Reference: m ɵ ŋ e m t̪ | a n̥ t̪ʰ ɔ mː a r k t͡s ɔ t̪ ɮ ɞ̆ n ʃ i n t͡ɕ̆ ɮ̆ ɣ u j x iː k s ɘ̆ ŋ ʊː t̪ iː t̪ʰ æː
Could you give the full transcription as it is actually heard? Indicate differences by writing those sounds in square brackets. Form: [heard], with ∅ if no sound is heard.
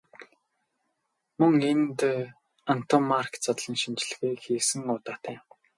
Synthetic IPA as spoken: m ɵ ŋ e [n] t̪ | a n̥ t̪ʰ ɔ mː a r k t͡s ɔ t̪ ɮ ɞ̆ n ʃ i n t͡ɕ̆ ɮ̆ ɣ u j x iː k s ɘ̆ ŋ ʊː t̪ [aː] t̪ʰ æː